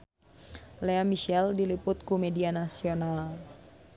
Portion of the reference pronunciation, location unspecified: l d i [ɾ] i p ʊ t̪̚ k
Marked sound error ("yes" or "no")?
yes